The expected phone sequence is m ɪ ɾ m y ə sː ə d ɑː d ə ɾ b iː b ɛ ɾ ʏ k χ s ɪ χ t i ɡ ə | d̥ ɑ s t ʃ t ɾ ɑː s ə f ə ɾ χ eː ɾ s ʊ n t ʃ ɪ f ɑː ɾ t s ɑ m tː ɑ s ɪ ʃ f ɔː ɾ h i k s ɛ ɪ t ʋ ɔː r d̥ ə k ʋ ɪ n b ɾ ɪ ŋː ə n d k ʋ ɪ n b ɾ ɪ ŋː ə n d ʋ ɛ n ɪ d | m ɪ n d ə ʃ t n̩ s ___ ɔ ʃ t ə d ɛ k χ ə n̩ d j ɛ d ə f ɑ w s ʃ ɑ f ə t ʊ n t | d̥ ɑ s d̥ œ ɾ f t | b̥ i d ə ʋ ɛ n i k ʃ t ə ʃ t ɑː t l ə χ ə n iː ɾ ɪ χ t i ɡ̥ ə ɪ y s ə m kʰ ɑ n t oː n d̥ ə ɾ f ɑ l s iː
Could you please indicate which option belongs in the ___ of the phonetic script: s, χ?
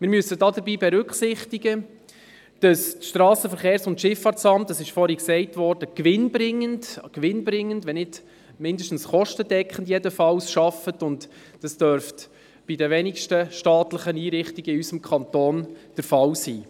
χ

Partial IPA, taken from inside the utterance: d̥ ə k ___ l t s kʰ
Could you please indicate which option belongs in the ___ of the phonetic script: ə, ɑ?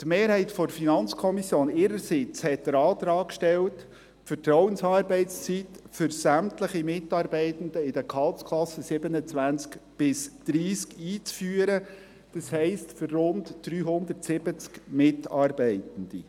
ɑ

